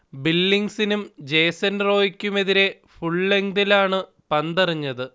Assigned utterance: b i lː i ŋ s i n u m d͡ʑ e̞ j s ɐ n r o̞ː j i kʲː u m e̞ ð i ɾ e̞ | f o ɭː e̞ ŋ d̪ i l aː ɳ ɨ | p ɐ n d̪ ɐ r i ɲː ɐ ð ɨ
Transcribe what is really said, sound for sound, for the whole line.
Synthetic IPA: b i lː i ŋ s i n u m d͡ʑ e̞ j s ɐ n r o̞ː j i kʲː u m e̞ ð i ɾ e̞ | f u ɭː e̞ ŋ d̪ i l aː ɳ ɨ | p ɐ n d̪ ɐ r i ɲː ɐ ð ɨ